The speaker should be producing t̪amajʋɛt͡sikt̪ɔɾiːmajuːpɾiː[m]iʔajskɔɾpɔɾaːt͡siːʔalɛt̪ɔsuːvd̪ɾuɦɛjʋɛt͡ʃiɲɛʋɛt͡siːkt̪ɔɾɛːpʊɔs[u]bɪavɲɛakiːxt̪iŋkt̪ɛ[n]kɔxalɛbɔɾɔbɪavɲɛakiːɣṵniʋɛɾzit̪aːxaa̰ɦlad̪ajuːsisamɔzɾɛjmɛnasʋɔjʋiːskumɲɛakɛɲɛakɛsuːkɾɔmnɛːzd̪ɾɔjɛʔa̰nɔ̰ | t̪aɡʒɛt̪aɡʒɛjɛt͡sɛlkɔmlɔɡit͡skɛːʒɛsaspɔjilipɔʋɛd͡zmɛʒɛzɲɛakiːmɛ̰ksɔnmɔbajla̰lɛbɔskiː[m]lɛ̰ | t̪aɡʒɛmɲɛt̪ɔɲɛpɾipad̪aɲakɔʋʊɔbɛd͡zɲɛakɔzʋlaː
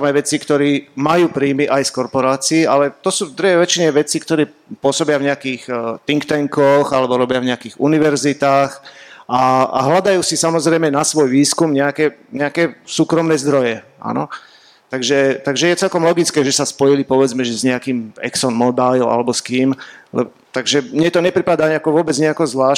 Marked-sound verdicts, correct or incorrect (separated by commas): correct, incorrect, incorrect, correct